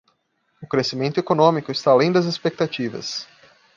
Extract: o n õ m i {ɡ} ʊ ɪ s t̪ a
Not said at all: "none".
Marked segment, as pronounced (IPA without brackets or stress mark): k